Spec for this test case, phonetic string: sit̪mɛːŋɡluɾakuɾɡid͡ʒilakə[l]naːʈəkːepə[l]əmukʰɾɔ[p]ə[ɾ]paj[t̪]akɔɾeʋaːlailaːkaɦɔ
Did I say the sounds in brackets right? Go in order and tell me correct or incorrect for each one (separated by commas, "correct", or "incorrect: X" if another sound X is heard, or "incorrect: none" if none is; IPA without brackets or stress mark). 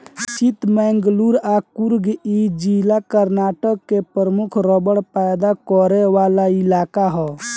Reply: incorrect: ɾ, incorrect: ɾ, incorrect: b, incorrect: ɽ, incorrect: d̪